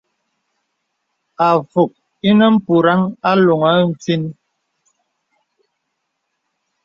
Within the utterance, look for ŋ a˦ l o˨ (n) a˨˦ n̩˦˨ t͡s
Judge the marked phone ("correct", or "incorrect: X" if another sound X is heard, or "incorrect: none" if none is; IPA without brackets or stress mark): incorrect: ŋ